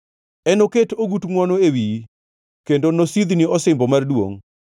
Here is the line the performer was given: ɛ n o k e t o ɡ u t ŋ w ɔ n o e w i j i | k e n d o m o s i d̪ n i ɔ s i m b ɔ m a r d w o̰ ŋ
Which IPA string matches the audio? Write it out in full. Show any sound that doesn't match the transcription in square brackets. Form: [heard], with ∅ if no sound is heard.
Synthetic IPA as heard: ɛ n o k e t o ɡ u t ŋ w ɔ n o e w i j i | k e n d o [n] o s i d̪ n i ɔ s [ɪ] m b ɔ m a r d w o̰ ŋ